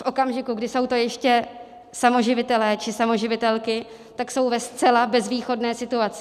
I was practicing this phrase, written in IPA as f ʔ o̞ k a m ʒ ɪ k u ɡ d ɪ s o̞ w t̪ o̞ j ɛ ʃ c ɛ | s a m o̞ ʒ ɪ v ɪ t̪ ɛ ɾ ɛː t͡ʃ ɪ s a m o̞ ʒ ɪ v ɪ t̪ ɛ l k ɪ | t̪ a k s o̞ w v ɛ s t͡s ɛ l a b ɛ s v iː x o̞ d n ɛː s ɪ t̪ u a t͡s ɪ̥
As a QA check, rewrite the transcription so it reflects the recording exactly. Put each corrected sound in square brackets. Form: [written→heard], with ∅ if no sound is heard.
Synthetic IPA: f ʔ o̞ k a m ʒ ɪ k u ɡ d ɪ s o̞ w t̪ o̞ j ɛ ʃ c ɛ | s a m o̞ ʒ ɪ v ɪ t̪ ɛ [ɾ→l] ɛː t͡ʃ ɪ s a m o̞ ʒ ɪ v ɪ t̪ ɛ l k ɪ | t̪ a k s o̞ w v ɛ s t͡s ɛ l a b ɛ [s→z] v iː x o̞ d n ɛː s ɪ t̪ u a t͡s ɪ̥